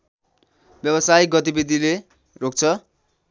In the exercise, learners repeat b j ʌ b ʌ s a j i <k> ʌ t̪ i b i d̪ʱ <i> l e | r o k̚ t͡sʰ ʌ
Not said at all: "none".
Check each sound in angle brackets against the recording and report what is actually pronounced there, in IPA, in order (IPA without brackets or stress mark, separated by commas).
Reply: ɡ, i